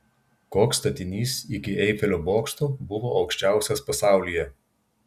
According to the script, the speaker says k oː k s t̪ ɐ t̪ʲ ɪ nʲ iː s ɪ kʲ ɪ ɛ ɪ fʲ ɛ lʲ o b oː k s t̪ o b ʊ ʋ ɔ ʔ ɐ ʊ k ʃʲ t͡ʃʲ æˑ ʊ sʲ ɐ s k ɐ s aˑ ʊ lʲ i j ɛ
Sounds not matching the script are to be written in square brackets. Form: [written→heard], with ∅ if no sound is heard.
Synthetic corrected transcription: k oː k s t̪ ɐ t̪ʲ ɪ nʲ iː s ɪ kʲ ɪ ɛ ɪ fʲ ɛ lʲ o b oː k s t̪ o b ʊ ʋ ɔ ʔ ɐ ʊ k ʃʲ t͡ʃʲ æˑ ʊ sʲ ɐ s [k→p] ɐ s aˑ ʊ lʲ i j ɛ